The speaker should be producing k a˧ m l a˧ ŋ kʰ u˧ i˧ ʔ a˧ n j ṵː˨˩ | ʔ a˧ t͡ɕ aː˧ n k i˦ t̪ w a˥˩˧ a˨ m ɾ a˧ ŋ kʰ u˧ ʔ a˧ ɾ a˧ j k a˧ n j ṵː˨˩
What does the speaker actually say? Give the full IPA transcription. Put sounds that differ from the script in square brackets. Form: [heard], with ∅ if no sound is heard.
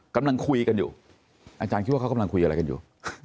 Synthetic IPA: k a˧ m l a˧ ŋ kʰ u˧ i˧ [k] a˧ n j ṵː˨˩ | ʔ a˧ t͡ɕ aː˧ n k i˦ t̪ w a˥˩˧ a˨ m [l] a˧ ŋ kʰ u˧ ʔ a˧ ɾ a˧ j k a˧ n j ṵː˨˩

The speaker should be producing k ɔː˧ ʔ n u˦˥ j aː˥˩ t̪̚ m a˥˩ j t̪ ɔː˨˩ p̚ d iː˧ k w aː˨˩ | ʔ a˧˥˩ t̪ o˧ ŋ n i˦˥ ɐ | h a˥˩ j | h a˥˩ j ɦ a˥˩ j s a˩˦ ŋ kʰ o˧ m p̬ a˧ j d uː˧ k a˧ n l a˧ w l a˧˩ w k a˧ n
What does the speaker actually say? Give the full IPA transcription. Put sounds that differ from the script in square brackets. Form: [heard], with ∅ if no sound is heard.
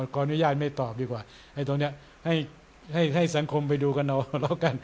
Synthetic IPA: k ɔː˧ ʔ n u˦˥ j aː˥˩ t̪̚ m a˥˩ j t̪ ɔː˨˩ p̚ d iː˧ k w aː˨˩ | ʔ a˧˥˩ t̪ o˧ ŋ n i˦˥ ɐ | h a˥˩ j | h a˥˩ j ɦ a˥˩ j s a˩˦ ŋ kʰ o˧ m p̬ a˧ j d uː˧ k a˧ n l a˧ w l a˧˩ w k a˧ n

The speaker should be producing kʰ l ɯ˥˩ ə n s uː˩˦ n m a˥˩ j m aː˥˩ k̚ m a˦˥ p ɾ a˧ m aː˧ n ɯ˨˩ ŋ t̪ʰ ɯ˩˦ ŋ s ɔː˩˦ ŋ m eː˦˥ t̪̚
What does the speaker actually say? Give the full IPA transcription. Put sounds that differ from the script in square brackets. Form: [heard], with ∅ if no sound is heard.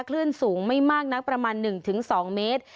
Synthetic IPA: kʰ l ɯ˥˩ ə n s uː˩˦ [ŋ] m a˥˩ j m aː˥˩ k̚ [n] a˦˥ p ɾ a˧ m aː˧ [nː] ɯ˨˩ ŋ t̪ʰ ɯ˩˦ ŋ s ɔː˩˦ ŋ m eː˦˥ t̪̚

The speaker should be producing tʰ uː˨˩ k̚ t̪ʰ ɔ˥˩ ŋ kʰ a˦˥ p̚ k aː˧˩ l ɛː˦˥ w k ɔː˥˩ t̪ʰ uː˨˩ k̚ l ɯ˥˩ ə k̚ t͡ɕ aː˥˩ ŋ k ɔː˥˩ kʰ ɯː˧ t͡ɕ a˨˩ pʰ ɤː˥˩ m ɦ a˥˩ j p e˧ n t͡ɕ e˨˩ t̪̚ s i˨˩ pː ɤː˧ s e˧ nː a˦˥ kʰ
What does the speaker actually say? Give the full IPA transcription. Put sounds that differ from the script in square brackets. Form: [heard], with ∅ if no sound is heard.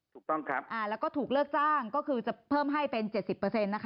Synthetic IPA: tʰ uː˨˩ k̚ [t̪] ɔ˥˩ ŋ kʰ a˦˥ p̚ [ʔ] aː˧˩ l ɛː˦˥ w k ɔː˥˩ t̪ʰ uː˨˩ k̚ l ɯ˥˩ ə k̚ t͡ɕ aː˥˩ ŋ k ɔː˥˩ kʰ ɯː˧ t͡ɕ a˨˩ pʰ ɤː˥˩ m ɦ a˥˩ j p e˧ n t͡ɕ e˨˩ t̪̚ s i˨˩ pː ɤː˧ s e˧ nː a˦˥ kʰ

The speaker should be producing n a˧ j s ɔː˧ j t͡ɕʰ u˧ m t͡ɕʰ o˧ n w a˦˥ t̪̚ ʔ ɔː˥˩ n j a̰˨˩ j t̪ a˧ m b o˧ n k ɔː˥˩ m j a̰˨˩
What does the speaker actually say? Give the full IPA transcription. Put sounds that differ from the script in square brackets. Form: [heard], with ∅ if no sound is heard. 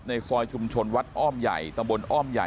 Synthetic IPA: n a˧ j s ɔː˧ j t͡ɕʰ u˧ m t͡ɕʰ o˧ n w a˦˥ t̪̚ ʔ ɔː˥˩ [m] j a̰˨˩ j t̪ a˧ m b o˧ n [ʔ] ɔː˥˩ m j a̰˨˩

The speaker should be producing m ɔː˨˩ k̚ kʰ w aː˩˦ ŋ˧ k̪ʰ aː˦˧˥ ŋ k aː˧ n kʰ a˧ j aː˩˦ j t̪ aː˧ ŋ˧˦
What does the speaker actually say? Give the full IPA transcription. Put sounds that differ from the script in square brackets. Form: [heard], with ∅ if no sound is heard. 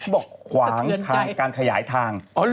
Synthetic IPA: [b] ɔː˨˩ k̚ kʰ w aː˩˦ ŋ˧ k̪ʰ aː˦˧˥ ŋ k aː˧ n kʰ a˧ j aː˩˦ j [t̪ʰ] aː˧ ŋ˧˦

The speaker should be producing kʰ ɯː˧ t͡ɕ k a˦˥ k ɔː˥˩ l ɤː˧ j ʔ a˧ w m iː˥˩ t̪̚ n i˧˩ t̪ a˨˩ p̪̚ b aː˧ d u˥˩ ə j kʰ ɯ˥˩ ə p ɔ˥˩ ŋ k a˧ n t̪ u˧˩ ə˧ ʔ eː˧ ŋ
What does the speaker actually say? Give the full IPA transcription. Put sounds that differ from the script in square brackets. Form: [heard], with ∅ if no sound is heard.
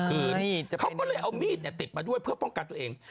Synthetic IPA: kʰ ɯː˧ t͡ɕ [kʰ] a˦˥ k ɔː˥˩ l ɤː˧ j ʔ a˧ w m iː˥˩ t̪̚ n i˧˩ t̪ [i˨˩] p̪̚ [m] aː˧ d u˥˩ ə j [pʰ] ɯ˥˩ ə p ɔ˥˩ ŋ k a˧ n t̪ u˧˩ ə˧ ʔ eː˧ ŋ

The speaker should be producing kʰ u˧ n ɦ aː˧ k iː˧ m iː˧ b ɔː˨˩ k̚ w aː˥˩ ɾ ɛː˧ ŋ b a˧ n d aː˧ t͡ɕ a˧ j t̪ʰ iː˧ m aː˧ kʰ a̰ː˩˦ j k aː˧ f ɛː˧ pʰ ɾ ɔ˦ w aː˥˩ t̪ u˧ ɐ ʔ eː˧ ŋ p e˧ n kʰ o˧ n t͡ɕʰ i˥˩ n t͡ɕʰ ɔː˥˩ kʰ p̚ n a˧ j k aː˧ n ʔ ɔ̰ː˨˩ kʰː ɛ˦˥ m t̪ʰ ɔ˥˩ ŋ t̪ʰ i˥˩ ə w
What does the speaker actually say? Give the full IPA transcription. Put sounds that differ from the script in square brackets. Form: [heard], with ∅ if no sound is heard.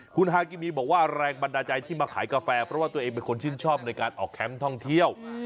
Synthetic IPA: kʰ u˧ n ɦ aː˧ k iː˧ m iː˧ b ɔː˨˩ k̚ w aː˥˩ ɾ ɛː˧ ŋ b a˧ n d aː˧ t͡ɕ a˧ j t̪ʰ [iː˥˩] m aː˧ kʰ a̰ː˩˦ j k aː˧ f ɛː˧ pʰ ɾ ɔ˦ w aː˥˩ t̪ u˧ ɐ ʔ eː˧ ŋ p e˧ n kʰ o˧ n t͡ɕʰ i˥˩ n t͡ɕʰ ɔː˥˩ [∅] p̚ n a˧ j k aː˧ n ʔ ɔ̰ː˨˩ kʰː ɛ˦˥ m t̪ʰ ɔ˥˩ ŋ t̪ʰ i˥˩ ə w

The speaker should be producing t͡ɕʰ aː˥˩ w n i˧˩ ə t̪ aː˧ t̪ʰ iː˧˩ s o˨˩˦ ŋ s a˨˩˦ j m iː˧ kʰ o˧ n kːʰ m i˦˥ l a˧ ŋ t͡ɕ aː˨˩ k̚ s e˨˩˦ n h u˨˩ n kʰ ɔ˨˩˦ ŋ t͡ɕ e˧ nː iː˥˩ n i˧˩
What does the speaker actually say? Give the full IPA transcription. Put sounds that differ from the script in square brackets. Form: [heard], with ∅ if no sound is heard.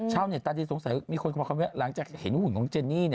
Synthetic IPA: t͡ɕʰ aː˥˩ w n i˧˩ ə t̪ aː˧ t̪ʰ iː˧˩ s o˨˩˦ ŋ s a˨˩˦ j m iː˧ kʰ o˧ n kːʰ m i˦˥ l [a˩˦] ŋ t͡ɕ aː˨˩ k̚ [h] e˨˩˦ n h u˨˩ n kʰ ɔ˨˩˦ ŋ t͡ɕ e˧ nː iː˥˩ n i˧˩

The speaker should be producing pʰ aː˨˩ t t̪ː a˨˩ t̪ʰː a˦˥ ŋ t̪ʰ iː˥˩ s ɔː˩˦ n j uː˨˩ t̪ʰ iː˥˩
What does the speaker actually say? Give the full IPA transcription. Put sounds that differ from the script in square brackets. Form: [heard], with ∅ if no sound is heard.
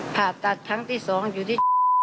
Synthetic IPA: pʰ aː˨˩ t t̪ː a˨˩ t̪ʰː a˦˥ ŋ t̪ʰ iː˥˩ s ɔː˩˦ [ŋ] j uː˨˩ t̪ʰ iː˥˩

